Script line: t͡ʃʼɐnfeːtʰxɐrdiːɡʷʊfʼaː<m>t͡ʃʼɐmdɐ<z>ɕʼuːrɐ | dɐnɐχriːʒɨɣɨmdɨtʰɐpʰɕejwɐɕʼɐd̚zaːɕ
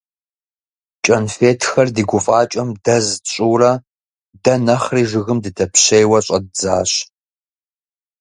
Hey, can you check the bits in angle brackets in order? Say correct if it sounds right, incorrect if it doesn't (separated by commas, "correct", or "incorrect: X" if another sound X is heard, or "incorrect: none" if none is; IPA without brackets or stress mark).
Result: incorrect: none, correct